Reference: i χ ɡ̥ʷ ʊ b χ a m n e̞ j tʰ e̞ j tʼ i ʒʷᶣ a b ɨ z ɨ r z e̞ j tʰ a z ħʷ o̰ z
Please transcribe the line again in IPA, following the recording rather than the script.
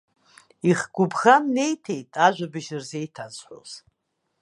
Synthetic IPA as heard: i χ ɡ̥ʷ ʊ b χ a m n e̞ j tʰ e̞ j tʼ a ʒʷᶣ a b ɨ ʒ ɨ r z e̞ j tʰ a z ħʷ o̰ z